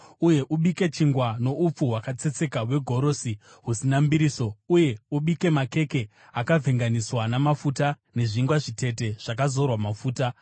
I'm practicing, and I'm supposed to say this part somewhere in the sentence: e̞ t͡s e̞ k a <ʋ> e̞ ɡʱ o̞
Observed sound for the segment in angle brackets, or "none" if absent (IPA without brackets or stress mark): w